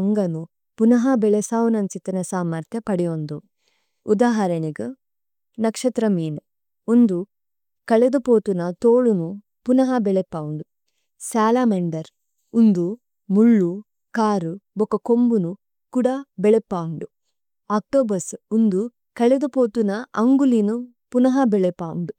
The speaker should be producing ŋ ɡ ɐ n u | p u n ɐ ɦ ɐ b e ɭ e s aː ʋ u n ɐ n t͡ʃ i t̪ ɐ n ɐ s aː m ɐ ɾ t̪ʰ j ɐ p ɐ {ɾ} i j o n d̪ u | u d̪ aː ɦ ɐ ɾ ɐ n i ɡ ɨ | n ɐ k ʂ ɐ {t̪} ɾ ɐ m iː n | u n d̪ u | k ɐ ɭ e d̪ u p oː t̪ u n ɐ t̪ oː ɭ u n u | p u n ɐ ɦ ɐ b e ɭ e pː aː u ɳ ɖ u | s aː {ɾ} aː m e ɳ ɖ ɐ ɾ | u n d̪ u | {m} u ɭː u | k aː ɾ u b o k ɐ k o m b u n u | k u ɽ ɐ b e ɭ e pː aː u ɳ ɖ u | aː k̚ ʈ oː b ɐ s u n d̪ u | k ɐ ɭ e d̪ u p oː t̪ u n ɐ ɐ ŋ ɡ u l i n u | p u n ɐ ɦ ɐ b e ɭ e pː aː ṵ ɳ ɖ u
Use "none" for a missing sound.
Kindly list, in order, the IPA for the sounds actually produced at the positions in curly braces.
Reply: ɽ, t̪, l, m

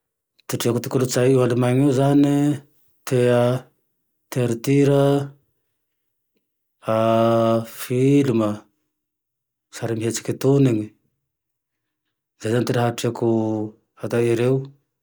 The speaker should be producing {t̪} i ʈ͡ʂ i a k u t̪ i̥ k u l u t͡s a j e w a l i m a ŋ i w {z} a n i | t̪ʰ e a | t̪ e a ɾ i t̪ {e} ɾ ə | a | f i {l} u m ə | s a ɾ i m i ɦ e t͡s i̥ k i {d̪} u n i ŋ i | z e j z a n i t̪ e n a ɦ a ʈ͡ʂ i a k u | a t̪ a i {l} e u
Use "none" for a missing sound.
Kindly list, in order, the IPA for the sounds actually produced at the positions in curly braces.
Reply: t̪, z, i, l, t̪, ɾ

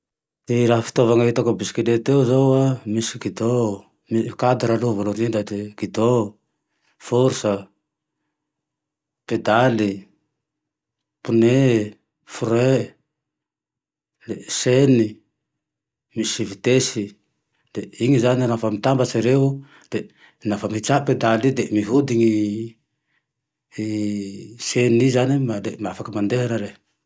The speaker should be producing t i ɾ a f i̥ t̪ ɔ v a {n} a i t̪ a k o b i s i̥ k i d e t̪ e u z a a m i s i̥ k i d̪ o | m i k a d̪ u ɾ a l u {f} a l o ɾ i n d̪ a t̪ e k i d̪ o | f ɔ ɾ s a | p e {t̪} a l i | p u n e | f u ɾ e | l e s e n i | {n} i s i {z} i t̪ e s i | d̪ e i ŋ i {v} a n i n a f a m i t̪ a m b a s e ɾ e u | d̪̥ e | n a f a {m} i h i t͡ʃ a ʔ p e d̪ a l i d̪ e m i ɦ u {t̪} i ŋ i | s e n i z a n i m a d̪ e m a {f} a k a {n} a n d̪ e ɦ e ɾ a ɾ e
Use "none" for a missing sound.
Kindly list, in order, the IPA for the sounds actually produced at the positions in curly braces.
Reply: ŋ, v, d̪, m, v, z, m, d̪, f, m

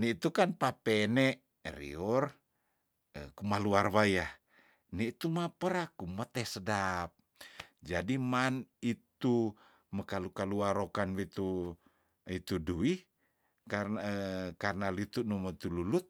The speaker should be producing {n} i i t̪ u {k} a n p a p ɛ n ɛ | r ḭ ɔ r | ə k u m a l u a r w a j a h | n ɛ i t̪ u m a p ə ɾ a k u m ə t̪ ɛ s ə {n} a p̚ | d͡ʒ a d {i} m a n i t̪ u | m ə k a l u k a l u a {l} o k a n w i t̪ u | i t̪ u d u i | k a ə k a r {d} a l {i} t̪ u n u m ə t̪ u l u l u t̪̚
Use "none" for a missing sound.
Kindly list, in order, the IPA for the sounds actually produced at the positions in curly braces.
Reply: n, k, d, i, ɾ, n, i

